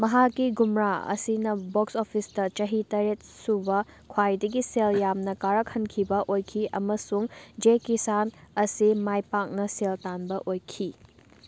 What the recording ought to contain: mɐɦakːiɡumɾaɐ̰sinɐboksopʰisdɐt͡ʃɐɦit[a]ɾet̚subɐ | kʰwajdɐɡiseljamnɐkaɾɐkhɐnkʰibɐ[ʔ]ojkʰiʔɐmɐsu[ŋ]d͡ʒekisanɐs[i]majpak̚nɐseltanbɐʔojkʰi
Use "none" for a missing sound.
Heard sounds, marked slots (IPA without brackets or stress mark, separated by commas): ɐ, ʔ, ŋ, i